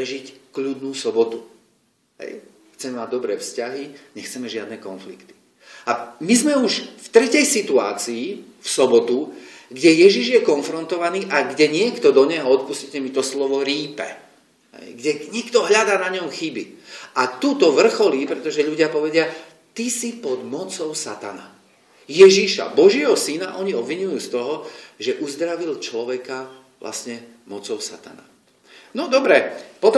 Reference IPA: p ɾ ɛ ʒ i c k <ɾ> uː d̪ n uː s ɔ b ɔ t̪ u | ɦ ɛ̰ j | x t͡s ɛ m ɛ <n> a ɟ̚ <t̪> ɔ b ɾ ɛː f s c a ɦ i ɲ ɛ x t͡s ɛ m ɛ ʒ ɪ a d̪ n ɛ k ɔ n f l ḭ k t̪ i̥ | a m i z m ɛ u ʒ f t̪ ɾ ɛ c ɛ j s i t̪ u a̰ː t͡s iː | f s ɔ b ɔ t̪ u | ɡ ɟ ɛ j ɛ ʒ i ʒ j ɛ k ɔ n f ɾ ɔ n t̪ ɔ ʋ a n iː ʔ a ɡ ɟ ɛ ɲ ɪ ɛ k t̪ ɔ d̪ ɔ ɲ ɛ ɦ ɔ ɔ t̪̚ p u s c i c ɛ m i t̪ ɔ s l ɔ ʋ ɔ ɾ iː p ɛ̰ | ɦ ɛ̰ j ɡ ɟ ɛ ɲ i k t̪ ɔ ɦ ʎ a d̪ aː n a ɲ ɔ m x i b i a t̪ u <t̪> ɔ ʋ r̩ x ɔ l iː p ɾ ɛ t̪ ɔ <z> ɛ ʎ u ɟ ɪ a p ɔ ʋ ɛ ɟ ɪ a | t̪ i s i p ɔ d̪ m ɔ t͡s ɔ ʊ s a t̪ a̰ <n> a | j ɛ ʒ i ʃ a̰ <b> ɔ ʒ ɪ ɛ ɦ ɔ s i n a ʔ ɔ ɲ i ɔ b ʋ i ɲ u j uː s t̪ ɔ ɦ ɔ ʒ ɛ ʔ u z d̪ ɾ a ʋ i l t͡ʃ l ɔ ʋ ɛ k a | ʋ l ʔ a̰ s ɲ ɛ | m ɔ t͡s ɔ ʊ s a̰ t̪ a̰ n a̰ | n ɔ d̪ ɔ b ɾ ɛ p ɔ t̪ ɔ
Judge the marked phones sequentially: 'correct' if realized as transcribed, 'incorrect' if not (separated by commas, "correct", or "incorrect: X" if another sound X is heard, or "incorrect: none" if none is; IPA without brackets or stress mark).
incorrect: ʎ, incorrect: m, incorrect: d̪, correct, incorrect: ʒ, correct, correct